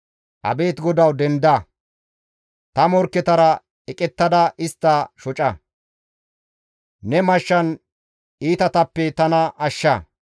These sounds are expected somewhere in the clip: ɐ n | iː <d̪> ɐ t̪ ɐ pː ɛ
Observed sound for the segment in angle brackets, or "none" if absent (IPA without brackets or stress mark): t̪